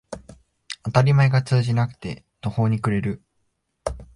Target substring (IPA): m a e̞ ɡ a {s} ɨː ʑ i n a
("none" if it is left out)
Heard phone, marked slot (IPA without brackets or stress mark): t͡s